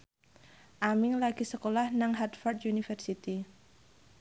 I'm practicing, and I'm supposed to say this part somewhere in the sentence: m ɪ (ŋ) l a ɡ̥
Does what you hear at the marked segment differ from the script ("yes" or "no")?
no